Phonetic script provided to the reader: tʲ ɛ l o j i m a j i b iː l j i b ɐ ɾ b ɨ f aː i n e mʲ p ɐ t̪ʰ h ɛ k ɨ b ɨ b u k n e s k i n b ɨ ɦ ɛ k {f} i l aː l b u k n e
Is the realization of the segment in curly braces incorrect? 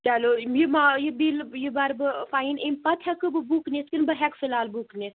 no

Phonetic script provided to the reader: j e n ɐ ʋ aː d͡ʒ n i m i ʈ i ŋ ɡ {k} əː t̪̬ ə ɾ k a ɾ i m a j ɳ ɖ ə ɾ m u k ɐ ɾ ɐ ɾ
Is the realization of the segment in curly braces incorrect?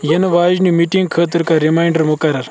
yes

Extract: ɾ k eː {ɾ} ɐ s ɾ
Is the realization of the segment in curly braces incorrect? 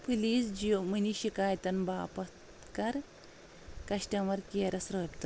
no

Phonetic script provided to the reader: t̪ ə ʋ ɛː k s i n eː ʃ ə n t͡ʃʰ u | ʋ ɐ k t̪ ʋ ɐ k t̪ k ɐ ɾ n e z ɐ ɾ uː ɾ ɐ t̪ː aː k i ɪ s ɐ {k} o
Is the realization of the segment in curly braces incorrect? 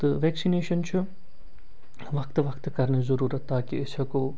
no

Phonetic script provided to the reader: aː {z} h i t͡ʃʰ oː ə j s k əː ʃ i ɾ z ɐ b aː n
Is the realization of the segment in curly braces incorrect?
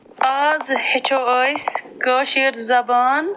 no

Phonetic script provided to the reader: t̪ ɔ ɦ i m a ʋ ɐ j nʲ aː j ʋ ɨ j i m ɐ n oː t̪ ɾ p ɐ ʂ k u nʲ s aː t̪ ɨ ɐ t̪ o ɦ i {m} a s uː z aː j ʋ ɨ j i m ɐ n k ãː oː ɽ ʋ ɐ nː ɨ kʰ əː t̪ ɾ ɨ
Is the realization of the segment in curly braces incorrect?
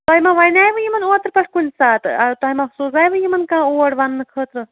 no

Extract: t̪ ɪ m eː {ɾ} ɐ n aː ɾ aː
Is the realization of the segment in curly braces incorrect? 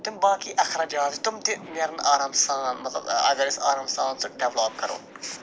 no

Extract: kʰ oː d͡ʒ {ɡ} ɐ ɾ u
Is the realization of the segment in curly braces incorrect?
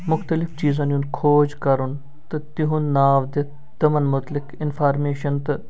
yes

